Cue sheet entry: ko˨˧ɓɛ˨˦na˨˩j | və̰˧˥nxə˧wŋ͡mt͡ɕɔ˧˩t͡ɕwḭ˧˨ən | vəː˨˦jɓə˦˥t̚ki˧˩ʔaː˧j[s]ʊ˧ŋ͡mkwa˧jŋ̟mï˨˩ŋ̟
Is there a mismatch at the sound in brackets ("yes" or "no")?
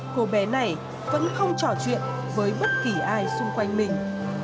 no